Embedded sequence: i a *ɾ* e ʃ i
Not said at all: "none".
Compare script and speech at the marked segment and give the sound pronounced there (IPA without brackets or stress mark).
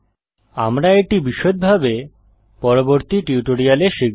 l